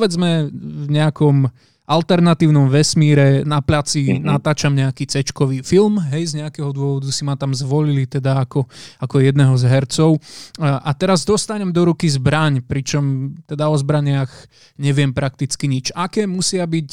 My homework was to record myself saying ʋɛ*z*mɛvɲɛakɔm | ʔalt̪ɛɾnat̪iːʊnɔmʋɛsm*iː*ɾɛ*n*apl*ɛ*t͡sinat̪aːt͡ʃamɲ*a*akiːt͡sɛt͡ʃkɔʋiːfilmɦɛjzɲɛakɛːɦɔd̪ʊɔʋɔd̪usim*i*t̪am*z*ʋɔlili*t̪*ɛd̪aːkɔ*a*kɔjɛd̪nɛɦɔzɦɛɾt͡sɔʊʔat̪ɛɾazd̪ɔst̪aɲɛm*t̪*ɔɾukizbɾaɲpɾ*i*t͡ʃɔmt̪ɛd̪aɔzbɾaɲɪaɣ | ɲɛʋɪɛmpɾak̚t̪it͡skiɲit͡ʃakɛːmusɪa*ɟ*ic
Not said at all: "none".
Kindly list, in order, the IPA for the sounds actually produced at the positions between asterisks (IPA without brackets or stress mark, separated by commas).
d͡z, iː, n, a, ɛ, a, z, t̪, a, d̪, i, b